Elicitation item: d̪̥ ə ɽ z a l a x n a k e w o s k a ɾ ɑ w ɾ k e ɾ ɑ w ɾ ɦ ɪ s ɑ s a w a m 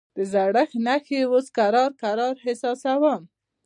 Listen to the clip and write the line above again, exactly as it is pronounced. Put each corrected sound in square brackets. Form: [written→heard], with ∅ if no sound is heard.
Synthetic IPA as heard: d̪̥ ə [ɽ→∅] z a [l→ɽ] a x n a [k→x] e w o s k a ɾ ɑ [w→∅] ɾ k [e→a] ɾ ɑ [w→∅] ɾ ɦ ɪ s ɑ s a w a m